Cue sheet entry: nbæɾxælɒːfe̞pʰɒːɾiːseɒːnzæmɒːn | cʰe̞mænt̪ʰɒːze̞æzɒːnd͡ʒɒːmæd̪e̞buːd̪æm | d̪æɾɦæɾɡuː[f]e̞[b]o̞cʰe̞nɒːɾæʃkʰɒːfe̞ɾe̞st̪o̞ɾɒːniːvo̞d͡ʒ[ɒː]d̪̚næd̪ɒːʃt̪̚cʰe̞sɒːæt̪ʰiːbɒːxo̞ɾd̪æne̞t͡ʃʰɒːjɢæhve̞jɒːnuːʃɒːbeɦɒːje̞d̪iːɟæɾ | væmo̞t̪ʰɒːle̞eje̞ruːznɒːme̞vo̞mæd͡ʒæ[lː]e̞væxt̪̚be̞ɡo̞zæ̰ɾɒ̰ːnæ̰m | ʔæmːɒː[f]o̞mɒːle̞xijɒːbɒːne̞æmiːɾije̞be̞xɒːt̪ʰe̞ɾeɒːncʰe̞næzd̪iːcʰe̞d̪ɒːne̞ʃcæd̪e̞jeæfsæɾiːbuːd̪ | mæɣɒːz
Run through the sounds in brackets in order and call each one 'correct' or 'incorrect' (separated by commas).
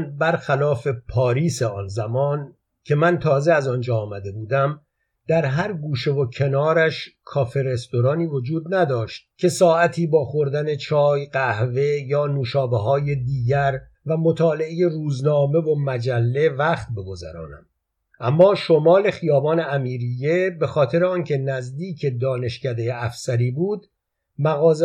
incorrect, incorrect, incorrect, correct, incorrect